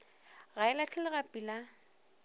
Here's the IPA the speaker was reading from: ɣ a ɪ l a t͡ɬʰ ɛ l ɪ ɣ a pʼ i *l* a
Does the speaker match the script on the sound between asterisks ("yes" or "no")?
yes